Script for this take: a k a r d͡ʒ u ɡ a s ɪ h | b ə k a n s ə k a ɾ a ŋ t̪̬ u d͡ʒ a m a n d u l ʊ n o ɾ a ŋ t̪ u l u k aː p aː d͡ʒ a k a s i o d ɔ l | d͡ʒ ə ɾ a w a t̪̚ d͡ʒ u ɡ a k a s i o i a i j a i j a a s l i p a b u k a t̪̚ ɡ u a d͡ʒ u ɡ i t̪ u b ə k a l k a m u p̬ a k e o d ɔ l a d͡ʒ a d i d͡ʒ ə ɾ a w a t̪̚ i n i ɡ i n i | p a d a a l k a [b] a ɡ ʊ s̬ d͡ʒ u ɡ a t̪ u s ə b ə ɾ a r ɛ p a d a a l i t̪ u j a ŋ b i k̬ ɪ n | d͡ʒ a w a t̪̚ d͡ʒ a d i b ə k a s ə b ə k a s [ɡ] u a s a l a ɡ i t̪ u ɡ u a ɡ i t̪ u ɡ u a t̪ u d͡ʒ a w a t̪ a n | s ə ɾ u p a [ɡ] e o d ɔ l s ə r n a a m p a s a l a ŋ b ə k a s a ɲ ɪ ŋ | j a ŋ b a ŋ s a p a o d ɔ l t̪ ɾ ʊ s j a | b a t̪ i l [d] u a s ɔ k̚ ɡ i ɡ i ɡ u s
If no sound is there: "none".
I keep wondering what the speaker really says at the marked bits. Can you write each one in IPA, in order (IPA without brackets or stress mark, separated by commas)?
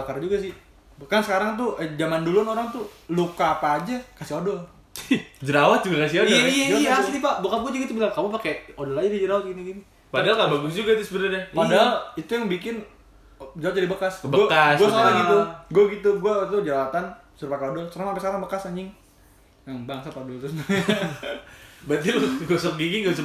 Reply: b, ɡ, k, ɡ